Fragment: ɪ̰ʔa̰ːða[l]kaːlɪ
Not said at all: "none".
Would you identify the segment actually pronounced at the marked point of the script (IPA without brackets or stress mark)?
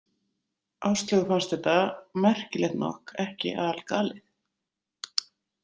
l